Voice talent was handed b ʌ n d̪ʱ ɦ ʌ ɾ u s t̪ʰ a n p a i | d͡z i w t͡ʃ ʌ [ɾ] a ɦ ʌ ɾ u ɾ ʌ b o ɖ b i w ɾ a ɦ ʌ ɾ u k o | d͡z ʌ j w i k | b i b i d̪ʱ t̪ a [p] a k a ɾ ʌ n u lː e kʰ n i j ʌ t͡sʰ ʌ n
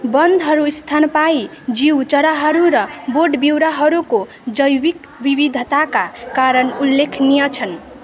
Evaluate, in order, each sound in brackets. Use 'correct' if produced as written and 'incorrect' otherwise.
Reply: correct, incorrect: k

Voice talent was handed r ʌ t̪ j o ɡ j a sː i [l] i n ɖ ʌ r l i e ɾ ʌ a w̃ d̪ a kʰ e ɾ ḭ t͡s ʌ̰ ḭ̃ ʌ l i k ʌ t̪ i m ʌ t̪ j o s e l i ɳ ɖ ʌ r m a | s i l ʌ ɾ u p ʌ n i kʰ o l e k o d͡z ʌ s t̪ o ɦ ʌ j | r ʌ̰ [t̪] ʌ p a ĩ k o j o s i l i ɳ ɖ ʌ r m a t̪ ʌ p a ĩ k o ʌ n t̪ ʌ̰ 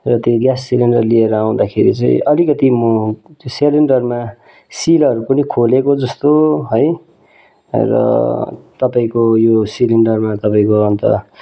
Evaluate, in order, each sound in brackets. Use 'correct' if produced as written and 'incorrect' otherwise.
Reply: correct, correct

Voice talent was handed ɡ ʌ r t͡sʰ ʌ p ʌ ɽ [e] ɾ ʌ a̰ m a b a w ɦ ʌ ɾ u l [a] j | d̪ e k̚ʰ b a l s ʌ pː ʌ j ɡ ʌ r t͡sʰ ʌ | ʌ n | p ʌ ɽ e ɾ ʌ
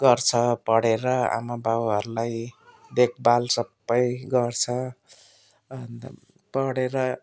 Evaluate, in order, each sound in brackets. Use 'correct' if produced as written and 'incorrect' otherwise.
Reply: correct, correct

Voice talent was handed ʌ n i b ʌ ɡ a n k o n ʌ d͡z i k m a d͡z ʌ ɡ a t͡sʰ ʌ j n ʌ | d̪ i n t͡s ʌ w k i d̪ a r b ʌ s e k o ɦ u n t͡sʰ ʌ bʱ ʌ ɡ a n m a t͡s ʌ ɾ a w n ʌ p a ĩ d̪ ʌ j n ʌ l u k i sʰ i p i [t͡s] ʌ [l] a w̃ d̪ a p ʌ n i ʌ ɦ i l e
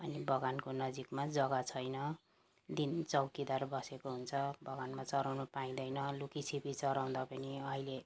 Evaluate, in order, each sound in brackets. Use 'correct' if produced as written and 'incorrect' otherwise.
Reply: correct, incorrect: ɾ

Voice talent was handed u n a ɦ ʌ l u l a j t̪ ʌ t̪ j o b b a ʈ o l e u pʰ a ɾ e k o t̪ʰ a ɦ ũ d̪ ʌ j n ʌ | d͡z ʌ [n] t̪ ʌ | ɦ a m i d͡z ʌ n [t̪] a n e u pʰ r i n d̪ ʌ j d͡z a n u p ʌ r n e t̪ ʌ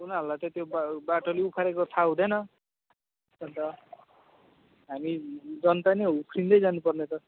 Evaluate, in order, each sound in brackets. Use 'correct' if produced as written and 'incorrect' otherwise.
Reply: correct, correct

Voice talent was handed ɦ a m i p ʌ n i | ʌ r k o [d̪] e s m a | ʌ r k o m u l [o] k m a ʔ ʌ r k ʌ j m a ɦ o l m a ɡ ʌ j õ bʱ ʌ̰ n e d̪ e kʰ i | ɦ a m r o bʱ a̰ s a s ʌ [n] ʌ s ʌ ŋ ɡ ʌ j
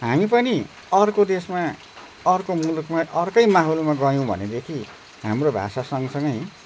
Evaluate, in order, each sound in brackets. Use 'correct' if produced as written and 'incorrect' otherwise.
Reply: correct, incorrect: u, incorrect: ŋ

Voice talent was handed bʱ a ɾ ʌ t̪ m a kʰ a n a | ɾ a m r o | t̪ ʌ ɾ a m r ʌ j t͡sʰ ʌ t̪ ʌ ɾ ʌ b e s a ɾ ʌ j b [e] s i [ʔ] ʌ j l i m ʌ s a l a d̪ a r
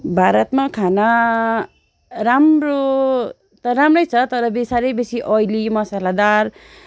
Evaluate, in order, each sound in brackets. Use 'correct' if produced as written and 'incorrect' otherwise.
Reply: correct, correct

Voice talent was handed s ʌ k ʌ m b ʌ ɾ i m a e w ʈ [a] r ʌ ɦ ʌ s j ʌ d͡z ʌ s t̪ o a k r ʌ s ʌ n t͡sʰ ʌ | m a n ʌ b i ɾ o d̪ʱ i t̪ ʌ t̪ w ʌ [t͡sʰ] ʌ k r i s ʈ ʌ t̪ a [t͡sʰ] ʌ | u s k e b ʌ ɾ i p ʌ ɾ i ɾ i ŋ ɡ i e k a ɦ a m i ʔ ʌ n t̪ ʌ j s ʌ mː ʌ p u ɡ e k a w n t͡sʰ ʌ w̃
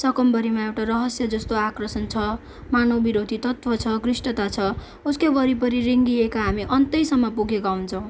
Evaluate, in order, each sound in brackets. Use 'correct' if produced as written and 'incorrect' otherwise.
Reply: correct, correct, correct

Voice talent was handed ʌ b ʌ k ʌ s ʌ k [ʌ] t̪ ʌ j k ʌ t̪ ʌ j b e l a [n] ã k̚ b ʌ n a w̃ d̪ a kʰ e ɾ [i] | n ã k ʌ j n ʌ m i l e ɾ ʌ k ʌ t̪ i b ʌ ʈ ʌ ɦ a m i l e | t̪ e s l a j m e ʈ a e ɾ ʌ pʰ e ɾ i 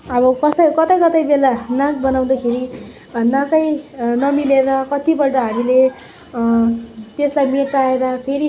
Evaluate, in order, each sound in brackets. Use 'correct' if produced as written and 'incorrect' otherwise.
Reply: correct, correct, correct

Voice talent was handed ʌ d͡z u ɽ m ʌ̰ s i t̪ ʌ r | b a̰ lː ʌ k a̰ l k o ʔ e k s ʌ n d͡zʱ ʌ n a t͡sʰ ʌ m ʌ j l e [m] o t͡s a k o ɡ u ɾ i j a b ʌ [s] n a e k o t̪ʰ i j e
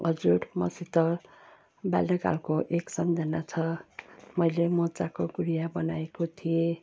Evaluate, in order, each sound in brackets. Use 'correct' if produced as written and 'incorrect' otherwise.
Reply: correct, incorrect: none

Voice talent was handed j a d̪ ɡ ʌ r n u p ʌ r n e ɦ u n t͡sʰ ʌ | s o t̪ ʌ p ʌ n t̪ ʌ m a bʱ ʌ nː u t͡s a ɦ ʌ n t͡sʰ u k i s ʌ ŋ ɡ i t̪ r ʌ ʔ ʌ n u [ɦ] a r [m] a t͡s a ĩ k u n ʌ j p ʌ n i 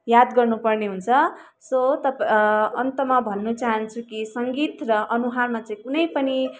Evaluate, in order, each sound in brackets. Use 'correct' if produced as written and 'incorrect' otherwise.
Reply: correct, correct

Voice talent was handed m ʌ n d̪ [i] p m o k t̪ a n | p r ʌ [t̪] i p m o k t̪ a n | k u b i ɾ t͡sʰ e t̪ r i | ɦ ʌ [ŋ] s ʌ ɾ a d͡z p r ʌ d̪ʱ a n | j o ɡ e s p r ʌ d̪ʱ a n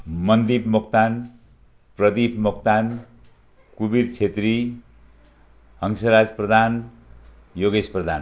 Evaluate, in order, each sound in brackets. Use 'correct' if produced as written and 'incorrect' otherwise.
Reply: correct, incorrect: d̪, correct

